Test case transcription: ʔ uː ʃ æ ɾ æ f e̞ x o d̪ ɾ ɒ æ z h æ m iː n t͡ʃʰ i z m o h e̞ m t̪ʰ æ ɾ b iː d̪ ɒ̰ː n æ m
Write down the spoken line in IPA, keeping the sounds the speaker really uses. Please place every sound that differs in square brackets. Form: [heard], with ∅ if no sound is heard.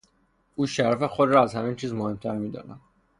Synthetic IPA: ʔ uː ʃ æ ɾ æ f e̞ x o d̪ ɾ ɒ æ z h æ m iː n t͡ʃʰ [iː] z m o h e̞ m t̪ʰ æ ɾ [m] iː d̪ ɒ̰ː n æ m